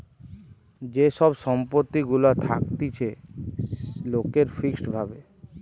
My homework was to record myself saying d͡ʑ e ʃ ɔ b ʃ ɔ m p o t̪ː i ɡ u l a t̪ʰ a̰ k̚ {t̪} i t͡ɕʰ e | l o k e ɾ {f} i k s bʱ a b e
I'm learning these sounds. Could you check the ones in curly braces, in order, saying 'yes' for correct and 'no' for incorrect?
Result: yes, yes

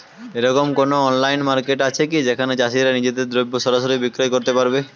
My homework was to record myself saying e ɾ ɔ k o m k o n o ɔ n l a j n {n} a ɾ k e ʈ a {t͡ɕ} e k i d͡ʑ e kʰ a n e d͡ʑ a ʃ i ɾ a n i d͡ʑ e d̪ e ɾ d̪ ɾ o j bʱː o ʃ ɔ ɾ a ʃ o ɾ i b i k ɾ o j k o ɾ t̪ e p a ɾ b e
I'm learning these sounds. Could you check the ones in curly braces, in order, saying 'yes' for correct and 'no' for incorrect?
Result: no, no

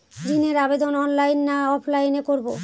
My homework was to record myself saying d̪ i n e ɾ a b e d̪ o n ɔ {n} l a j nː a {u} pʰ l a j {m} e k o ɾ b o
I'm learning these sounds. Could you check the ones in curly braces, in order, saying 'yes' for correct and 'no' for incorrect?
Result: yes, no, no

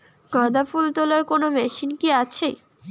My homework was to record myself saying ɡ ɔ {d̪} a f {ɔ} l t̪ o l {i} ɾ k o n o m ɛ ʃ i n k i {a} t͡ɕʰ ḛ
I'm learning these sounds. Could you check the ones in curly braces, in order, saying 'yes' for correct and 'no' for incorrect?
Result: yes, no, no, yes

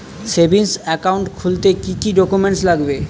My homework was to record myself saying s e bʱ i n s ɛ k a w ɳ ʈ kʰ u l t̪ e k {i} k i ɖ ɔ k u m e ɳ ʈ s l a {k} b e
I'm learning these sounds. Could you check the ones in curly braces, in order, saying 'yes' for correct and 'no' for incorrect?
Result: yes, no

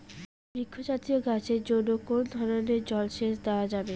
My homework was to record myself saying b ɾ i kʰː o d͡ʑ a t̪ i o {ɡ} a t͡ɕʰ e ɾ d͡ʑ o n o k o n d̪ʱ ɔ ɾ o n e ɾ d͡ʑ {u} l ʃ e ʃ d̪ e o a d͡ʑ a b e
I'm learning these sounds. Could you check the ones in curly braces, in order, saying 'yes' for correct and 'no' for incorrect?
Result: yes, no

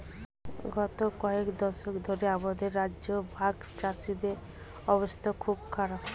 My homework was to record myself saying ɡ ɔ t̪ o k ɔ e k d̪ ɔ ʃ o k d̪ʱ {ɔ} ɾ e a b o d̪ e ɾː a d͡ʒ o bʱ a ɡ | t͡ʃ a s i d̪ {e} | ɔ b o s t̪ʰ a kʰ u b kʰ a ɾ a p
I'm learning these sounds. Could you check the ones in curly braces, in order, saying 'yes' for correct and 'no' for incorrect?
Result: no, yes

